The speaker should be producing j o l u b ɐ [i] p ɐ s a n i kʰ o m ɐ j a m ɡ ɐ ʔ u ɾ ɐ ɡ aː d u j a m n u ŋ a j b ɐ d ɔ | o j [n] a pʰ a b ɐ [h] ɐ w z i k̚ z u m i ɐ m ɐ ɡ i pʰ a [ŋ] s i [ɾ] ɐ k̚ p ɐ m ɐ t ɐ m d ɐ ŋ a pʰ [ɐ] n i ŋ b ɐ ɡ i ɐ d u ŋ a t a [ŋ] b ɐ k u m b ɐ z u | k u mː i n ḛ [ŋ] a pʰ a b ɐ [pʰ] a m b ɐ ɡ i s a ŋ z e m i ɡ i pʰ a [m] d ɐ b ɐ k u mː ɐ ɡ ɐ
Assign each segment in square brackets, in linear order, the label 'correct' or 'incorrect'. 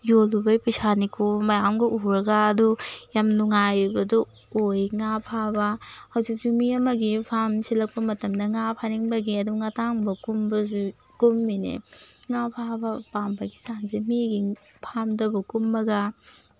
incorrect: j, incorrect: ŋ, correct, incorrect: m, incorrect: l, incorrect: a, correct, correct, incorrect: p, correct

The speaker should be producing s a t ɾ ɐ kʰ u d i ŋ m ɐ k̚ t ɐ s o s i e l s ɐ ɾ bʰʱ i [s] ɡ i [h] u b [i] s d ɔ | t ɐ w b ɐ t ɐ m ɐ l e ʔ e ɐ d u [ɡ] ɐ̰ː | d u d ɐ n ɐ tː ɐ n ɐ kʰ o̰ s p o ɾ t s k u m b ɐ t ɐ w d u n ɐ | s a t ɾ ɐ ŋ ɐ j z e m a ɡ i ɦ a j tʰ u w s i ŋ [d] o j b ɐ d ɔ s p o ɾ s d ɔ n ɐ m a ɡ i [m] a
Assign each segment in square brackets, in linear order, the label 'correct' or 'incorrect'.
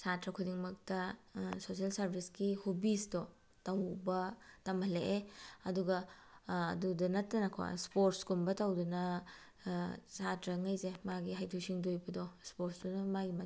correct, correct, correct, correct, correct, correct

